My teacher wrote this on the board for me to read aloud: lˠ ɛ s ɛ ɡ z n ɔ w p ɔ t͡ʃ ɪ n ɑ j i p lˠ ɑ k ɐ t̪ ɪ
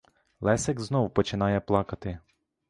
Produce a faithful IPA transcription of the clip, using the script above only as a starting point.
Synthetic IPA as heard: lˠ ɛ s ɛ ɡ z n ɔ w p ɔ t͡ʃ ɪ n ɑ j ɛ p lˠ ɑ k ɐ t̪ ɪ